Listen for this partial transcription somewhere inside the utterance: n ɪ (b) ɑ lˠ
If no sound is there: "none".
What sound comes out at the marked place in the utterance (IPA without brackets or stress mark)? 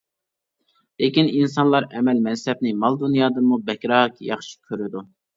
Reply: m